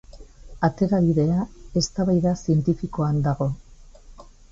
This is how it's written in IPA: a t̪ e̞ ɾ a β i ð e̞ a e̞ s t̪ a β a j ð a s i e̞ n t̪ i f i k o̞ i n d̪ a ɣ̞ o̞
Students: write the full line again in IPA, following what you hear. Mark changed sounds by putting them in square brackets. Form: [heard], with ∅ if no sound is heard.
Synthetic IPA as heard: a t̪ e̞ ɾ a β i ð e̞ a e̞ s t̪ a β a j ð a s i e̞ n t̪ i f i k o̞ [a] n d̪ a ɣ̞ o̞